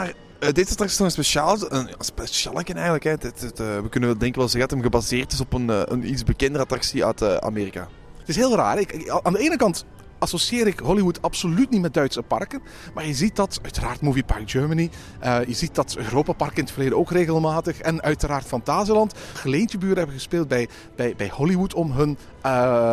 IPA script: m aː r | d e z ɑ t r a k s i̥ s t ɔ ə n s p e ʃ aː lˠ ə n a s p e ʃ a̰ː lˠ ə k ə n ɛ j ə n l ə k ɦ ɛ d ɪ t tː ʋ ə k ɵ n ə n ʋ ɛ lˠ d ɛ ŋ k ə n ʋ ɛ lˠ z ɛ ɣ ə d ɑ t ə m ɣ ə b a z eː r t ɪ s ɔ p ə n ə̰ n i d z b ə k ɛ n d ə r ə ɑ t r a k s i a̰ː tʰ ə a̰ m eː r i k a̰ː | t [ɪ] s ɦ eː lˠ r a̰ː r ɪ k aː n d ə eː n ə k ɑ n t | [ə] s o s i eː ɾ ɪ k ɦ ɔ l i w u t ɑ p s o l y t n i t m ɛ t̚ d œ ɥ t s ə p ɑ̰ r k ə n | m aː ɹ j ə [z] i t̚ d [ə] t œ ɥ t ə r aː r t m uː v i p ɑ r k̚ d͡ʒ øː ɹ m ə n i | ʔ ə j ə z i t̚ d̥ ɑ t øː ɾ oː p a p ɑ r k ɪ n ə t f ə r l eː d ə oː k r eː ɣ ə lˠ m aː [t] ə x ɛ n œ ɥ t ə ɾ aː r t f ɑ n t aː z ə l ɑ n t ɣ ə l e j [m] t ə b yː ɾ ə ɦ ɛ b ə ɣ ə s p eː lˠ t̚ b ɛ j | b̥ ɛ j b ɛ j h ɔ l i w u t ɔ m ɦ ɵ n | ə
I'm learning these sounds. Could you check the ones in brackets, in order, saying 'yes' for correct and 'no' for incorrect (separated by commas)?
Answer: yes, no, yes, no, yes, no